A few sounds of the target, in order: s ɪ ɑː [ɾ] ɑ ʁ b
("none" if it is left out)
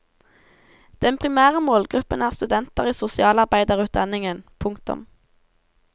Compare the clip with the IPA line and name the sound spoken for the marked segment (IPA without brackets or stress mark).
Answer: l